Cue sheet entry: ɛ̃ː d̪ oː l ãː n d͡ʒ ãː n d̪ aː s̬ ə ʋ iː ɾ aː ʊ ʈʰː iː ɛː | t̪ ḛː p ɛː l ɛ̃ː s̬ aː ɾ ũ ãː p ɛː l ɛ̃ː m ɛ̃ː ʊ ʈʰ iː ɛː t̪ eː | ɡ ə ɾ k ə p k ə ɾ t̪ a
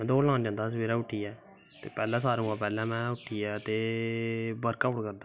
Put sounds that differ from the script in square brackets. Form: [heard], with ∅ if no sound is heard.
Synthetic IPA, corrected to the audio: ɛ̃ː d̪ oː l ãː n d͡ʒ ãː n d̪ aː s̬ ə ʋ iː ɾ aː ʊ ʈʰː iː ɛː | t̪ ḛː p ɛː l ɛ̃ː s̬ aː ɾ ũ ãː p ɛː l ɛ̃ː m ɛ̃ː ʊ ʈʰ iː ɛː t̪ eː | [b] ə ɾ k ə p k ə ɾ [d̪] a